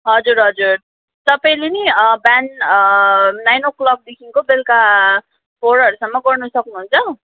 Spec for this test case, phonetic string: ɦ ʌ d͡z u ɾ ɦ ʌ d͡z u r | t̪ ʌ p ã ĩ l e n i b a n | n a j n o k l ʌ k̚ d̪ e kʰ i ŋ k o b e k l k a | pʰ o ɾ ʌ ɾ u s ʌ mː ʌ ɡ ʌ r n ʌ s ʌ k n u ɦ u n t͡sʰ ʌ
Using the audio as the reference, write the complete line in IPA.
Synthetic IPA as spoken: ɦ ʌ d͡z u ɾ ɦ ʌ d͡z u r | t̪ ʌ p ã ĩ l e n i b a n | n a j n o k l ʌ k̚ d̪ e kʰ i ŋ k o b e l k a | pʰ o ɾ ʌ ɾ u s ʌ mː ʌ ɡ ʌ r n ʌ s ʌ k n u ɦ u n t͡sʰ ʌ

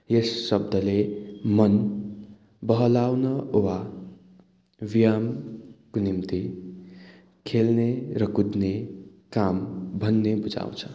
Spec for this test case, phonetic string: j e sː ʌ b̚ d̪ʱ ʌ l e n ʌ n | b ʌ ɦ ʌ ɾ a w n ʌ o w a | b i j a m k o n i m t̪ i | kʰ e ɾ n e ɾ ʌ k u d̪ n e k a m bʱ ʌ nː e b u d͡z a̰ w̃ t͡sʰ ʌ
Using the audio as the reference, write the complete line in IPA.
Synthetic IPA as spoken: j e sː ʌ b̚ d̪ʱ ʌ l e m ʌ n | b ʌ ɦ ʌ l a w n ʌ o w a | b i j a m k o n i m t̪ i | kʰ e l n e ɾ ʌ k u d̪ n e k a m bʱ ʌ nː e b u d͡z a̰ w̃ t͡sʰ ʌ

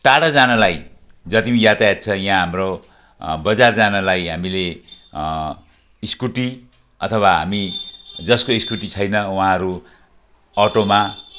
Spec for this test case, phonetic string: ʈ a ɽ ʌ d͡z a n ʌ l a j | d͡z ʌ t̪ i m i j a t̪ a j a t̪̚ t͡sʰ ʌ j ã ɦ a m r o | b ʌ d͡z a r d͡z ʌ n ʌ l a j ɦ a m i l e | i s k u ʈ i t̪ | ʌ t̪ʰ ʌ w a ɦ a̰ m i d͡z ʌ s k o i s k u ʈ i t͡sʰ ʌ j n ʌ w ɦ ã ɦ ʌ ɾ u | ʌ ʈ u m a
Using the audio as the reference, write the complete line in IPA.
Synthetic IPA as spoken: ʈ a ɽ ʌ d͡z a n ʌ l a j | d͡z ʌ t̪ i m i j a t̪ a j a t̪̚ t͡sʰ ʌ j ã ɦ a m r o | b ʌ d͡z a r d͡z a n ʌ l a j ɦ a m i l e | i s k u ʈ i | ʌ t̪ʰ ʌ w a ɦ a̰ m i d͡z ʌ s k o i s k u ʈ i t͡sʰ ʌ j n ʌ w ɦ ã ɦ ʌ ɾ u | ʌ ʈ o m a

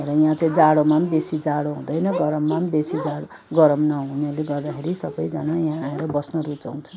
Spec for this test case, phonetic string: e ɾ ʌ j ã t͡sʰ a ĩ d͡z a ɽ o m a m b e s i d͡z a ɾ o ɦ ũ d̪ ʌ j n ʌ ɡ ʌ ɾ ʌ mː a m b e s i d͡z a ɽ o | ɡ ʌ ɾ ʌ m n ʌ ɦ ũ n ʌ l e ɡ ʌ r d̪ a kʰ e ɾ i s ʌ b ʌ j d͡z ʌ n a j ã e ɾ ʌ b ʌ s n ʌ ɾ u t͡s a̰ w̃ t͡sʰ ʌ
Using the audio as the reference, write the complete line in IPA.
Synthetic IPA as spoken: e ɾ ʌ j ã t͡s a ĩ d͡z a ɽ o m a m b e s i d͡z a ɽ o ɦ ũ d̪ ʌ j n ʌ ɡ ʌ ɾ ʌ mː a m b e s i d͡z a ɽ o | ɡ ʌ ɾ ʌ m n ʌ ɦ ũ n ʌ l e ɡ ʌ r d̪ a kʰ e ɾ i s ʌ b ʌ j d͡z ʌ n a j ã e ɾ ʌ b ʌ s n ʌ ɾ u t͡s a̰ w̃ t͡sʰ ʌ

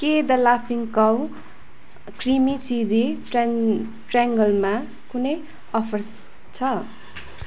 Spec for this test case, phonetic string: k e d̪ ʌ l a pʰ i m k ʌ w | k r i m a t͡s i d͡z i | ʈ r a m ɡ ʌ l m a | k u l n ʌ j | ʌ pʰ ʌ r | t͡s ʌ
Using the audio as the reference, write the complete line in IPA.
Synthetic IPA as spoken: k e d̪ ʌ l a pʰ i ŋ k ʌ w | k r i m i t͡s i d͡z i | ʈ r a ŋ ɡ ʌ l m a | k u n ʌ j | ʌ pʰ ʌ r | t͡sʰ ʌ

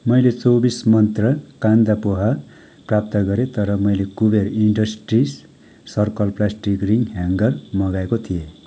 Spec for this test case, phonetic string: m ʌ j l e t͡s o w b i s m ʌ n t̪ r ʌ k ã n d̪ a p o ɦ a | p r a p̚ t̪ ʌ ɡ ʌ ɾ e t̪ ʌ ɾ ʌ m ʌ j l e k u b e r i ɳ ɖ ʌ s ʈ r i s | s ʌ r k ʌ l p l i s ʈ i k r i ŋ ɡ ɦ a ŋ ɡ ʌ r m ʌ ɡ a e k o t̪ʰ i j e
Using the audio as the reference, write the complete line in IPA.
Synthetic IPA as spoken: m ʌ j l e t͡s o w b i s m ʌ n t̪ r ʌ k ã n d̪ a p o ɦ a | p r a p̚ t̪ ʌ ɡ ʌ ɾ e t̪ ʌ ɾ ʌ m ʌ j l e k u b e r i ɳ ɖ ʌ s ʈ r i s | s ʌ r k ʌ l p l a s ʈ i k r i ŋ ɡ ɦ a ŋ ɡ ʌ r m ʌ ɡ a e k o t̪ʰ i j e

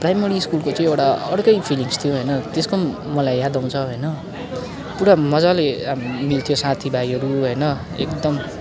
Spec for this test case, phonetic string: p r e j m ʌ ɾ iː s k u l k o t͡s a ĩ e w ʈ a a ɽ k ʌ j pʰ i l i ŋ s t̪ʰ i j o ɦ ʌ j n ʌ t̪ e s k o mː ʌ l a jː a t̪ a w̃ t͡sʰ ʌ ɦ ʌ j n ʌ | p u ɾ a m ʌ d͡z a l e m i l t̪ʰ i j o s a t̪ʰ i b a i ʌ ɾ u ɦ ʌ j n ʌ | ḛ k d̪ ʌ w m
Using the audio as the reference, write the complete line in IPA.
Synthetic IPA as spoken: p r a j m ʌ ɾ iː s k u l k o t͡s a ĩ e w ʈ a ʌ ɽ k ʌ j pʰ i l i ŋ s t̪ʰ i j o ɦ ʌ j n ʌ t̪ e s k o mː ʌ l a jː a d̪ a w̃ t͡sʰ ʌ ɦ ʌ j n ʌ | p u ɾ a m ʌ d͡z a l e m i l t̪ʰ i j o s a t̪ʰ i b a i ʌ ɾ u ɦ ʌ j n ʌ | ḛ k d̪ ʌ m

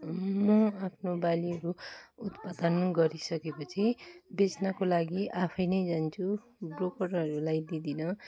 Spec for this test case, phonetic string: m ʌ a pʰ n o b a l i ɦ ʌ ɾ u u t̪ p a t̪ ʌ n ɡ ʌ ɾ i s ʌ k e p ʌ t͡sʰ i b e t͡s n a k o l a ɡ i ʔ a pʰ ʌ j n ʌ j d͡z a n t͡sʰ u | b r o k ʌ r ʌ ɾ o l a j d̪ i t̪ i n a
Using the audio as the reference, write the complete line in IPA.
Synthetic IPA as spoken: m ʌ a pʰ n o b a l i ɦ ʌ ɾ u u t̪ p a d̪ ʌ n ɡ ʌ ɾ i s ʌ k e p ʌ t͡sʰ i b e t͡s n a k o l a ɡ i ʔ a pʰ ʌ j n ʌ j d͡z a n t͡sʰ u | b r o k ʌ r ʌ ɾ u l a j d̪ i d̪ i n ʌ

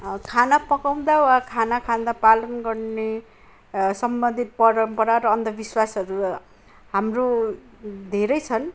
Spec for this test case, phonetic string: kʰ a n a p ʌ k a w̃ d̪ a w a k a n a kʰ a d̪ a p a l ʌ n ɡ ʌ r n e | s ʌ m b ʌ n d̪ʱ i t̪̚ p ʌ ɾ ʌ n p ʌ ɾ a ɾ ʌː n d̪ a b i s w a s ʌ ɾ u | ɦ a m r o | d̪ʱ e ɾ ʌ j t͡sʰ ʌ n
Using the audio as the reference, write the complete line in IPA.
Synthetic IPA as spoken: kʰ a n a p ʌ k a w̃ d̪ a w a kʰ a n a kʰ a d̪ a p a l ʌ n ɡ ʌ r n e | s ʌ m b ʌ n d̪ʱ i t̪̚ p ʌ ɾ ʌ m p ʌ ɾ a ɾ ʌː n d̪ ʌ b i s w a s ʌ ɾ u | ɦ a m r o | d̪ʱ e ɾ ʌ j t͡sʰ ʌ n

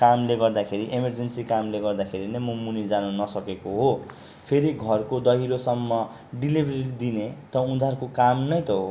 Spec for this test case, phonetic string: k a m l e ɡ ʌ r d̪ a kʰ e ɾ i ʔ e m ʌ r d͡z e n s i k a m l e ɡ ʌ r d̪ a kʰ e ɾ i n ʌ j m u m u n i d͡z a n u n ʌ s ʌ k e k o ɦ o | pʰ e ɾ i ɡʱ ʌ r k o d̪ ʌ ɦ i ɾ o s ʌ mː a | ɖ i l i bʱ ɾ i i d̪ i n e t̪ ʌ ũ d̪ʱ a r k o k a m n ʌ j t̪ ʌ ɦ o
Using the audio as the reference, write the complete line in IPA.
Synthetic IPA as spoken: k a m l e ɡ ʌ r d̪ a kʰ e ɾ i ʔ e m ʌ r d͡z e n s i k a m l e ɡ ʌ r d̪ a kʰ e ɾ i n ʌ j m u m u n i d͡z a n u n ʌ s ʌ k e k o ɦ o | pʰ e ɾ i ɡʱ ʌ r k o d̪ ʌ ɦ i ɾ o s ʌ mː ʌ | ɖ i l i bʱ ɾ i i d̪ i n e t̪ ʌ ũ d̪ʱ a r k o k a m n ʌ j t̪ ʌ ɦ o

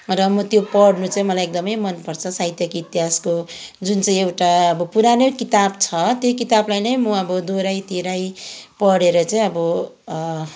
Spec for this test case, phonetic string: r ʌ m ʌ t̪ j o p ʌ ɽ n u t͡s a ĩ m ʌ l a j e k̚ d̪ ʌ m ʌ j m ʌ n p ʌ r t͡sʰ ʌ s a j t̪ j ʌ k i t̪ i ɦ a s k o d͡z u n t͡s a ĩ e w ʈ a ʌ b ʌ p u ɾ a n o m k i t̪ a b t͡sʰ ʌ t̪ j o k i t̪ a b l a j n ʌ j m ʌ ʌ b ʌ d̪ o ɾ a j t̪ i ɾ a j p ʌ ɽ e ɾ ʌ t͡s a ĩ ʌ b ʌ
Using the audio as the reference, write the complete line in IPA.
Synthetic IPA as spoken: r ʌ m ʌ t̪ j o p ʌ ɽ n u t͡s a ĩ m ʌ l a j e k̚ d̪ ʌ m ʌ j m ʌ n p ʌ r t͡sʰ ʌ s a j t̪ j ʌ k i t̪ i ɦ a s k o d͡z u n t͡s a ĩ e w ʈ a ʌ b ʌ p u ɾ a n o k i t̪ a b t͡sʰ ʌ t̪ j o k i t̪ a b l a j n ʌ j m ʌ ʌ b ʌ d̪ o ɾ a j t̪ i ɾ a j p ʌ ɽ e ɾ ʌ t͡s a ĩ ʌ b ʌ

